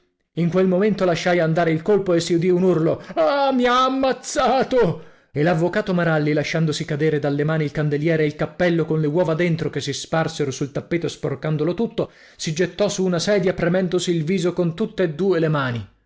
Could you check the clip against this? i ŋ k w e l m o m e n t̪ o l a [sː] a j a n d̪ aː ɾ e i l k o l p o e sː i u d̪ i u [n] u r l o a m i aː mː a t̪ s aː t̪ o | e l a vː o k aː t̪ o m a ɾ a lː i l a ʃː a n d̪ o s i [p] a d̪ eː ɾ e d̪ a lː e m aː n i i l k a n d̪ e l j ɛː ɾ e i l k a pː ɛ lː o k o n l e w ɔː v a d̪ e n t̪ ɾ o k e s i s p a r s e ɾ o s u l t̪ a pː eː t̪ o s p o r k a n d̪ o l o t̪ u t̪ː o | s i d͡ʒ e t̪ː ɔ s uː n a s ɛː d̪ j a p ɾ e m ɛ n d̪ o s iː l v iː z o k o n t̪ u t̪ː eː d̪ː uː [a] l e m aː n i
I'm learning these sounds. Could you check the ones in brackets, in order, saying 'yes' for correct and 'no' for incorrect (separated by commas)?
no, yes, no, no